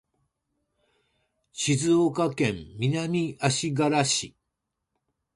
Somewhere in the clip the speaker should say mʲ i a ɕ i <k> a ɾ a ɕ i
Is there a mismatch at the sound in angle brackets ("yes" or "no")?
yes